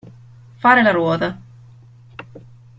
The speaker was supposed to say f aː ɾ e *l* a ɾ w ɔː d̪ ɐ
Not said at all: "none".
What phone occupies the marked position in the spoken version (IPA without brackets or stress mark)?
l